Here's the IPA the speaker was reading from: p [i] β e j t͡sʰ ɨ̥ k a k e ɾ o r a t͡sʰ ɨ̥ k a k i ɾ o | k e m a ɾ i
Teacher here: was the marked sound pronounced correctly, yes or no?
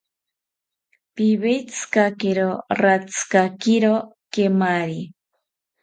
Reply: yes